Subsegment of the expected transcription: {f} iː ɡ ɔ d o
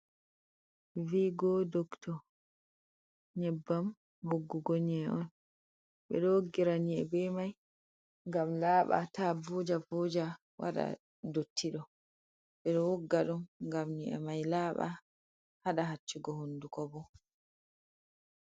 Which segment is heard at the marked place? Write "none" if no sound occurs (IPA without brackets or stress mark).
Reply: v